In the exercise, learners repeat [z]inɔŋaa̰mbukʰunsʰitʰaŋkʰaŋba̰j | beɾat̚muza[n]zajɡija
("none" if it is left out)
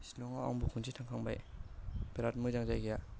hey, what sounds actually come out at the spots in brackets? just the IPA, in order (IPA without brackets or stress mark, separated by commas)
s, ŋ